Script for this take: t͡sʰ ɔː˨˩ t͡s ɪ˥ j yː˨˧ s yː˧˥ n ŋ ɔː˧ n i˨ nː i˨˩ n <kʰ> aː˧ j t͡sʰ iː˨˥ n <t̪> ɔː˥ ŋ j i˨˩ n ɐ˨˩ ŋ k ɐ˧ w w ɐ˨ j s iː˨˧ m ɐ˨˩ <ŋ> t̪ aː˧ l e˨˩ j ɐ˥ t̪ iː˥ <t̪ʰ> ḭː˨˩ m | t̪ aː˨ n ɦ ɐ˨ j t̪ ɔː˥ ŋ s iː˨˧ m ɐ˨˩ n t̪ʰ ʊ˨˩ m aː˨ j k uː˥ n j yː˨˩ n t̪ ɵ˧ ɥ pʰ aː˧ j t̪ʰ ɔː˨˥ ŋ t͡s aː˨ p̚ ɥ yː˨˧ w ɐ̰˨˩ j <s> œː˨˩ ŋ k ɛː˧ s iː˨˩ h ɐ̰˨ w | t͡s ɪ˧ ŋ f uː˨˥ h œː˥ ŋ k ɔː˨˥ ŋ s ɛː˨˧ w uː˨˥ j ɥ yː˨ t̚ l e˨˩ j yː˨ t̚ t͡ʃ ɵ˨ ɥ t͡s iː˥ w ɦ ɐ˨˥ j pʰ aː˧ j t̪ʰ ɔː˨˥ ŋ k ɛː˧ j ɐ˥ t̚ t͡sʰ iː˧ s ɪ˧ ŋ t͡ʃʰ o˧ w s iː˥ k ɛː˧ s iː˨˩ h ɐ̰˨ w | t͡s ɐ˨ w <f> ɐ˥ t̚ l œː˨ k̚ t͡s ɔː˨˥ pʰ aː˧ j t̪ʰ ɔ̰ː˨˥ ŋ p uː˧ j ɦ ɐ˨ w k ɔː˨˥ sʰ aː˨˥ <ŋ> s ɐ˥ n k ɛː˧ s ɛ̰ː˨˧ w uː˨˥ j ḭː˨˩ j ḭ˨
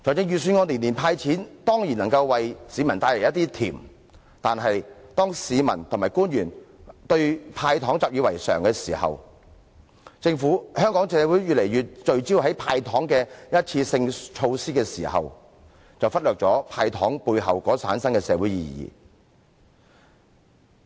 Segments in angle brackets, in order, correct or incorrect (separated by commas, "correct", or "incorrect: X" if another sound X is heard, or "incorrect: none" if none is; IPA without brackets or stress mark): incorrect: pʰ, correct, incorrect: n, correct, correct, correct, incorrect: n